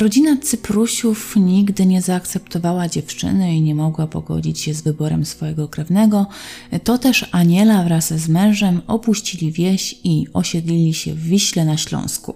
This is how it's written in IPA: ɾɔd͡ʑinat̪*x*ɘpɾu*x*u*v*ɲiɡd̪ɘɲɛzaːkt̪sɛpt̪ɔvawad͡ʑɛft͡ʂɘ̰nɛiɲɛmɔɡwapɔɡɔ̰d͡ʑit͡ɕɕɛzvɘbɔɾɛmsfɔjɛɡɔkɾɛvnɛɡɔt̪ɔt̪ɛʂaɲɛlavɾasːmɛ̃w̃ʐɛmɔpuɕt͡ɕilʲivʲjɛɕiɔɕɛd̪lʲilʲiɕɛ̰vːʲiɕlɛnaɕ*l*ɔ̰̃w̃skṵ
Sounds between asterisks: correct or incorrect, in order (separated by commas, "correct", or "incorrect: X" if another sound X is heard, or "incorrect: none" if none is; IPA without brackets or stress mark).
incorrect: s, incorrect: ɕ, incorrect: f, correct